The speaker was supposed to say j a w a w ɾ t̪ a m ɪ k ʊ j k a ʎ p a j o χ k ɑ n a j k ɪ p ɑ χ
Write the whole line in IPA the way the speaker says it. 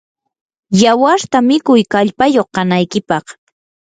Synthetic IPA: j a w a ɾ t̪ a m ɪ k ʊ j k a ʎ p a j o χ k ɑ n a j k ɪ p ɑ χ